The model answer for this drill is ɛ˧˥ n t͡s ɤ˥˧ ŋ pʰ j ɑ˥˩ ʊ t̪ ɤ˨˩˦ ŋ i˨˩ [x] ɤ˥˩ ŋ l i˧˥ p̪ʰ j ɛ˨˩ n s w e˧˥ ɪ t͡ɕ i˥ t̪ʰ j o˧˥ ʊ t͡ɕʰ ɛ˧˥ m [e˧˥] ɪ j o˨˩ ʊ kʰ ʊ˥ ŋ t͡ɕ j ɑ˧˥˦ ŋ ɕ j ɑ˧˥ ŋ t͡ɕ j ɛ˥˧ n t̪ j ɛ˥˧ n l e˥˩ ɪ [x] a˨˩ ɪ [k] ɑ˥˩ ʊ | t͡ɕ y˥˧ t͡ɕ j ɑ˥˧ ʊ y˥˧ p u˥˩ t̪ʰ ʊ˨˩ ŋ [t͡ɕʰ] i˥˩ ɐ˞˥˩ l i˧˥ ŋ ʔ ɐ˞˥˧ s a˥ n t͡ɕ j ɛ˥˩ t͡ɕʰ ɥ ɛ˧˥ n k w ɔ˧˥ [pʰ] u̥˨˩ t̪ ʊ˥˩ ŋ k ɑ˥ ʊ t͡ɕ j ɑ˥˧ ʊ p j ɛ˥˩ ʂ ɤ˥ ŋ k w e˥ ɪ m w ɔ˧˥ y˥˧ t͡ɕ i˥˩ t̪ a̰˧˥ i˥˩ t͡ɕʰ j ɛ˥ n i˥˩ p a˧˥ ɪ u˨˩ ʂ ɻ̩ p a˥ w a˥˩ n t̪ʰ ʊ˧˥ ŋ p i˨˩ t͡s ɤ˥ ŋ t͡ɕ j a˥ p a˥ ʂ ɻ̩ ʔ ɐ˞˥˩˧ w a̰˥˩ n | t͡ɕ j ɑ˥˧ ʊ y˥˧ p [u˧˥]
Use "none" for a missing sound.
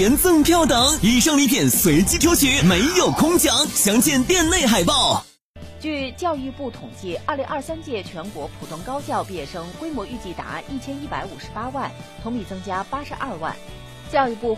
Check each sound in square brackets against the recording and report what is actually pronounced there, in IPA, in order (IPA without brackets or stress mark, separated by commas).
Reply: ʂ, e˧˥, x, p, t͡ɕ, pʰ, u˥˩